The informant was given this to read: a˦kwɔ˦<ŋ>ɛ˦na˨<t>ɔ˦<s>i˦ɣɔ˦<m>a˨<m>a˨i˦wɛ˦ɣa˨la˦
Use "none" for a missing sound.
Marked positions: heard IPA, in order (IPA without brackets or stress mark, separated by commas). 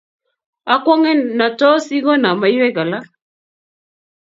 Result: ŋ, t, s, n, m